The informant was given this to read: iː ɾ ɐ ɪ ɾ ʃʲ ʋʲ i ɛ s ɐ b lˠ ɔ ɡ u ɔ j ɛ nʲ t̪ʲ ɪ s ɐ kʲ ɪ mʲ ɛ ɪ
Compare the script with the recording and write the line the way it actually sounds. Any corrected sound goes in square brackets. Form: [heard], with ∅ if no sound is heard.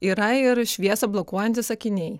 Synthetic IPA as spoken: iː ɾ ɐ ɪ ɾ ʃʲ ʋʲ i ɛ s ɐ b lˠ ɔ [k] u ɔ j ɛ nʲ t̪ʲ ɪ s ɐ kʲ ɪ [nʲ] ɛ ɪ